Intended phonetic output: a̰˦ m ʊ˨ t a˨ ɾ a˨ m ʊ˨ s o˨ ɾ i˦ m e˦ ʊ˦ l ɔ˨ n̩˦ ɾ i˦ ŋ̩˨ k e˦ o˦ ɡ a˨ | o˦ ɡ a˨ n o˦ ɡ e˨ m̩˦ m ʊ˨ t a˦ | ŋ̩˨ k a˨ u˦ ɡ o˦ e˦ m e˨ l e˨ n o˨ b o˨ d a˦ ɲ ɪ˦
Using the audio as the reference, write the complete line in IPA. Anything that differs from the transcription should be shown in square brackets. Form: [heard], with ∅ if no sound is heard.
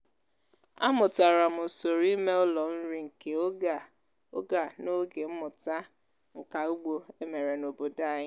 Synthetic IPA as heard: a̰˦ m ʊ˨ t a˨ ɾ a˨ m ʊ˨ s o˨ ɾ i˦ m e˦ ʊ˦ l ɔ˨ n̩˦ ɾ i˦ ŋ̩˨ k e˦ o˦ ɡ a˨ | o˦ ɡ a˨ n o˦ ɡ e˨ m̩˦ m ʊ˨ t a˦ | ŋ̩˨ k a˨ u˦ [ɡ͡b] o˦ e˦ m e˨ [ɾ] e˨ n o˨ b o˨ d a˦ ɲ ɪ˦